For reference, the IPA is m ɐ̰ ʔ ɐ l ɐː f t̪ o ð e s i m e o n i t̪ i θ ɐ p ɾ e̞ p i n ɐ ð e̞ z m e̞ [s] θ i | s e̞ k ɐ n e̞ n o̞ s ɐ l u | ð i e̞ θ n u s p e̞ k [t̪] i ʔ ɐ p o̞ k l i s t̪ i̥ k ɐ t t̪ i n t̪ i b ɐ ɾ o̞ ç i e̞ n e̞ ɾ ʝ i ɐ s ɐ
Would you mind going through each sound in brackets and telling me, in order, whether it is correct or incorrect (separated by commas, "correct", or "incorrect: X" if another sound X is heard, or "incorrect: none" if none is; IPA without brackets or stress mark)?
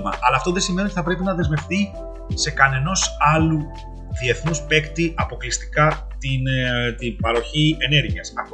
incorrect: f, correct